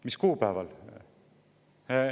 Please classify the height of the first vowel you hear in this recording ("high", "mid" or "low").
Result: high